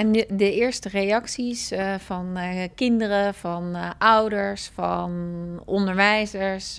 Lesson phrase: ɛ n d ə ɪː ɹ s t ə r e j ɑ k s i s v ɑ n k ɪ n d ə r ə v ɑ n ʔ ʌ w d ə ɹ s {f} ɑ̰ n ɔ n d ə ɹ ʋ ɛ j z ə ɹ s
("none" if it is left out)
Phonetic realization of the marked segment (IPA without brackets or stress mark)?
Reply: f